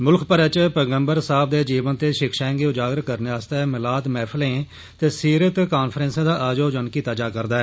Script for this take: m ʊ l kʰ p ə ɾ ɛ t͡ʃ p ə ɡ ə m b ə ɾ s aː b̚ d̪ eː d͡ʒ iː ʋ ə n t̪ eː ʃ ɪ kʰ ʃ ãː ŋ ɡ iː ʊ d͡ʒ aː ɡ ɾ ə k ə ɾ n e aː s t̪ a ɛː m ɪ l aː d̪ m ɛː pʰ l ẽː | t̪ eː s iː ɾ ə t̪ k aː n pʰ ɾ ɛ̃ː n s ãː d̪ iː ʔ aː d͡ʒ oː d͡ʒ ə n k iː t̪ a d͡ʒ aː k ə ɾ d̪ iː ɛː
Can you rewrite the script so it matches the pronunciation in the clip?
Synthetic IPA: m ʊ l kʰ p ə ɾ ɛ t͡ʃ p ə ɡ ə m b ə ɾ s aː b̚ d̪ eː d͡ʒ iː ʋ ə n t̪ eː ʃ ɪ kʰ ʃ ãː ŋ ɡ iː ʊ d͡ʒ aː ɡ ɾ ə k ə ɾ n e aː s t̪ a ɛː m ɪ l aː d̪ m ɛː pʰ l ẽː | t̪ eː s iː ɾ ə t̪ k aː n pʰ ɾ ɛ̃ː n s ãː d̪ aː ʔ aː d͡ʒ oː d͡ʒ ə n k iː t̪ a d͡ʒ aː k ə ɾ d̪ aː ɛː